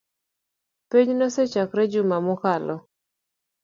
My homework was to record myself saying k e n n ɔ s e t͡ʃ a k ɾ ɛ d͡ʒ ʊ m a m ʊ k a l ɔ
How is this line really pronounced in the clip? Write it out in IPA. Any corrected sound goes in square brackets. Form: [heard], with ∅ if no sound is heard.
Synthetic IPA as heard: [p] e [ɲ] n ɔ s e t͡ʃ a k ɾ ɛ d͡ʒ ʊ m a m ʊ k a l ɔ